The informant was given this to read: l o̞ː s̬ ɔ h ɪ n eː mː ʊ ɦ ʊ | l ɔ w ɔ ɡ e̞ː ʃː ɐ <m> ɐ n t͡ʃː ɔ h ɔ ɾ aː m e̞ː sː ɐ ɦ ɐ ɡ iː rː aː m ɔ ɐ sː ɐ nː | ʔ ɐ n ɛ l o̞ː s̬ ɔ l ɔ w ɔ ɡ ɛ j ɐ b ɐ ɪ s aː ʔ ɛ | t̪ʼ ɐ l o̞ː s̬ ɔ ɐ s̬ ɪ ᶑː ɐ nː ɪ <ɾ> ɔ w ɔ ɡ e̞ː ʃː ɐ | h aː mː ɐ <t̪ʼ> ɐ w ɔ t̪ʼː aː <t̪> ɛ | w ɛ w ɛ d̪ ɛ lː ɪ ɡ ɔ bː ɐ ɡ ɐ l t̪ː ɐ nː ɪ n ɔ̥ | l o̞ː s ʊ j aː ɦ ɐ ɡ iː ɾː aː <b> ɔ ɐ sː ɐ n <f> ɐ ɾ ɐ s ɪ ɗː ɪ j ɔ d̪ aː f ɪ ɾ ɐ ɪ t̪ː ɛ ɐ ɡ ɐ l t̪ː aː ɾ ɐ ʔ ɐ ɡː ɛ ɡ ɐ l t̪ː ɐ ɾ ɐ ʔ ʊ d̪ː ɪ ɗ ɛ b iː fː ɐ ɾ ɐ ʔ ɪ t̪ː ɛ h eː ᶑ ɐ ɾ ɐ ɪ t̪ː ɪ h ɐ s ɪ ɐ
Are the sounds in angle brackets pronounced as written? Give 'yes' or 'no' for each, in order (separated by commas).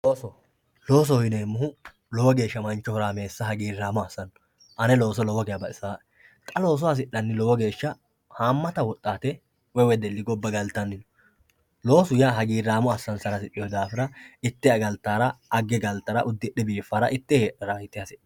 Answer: yes, no, no, yes, no, no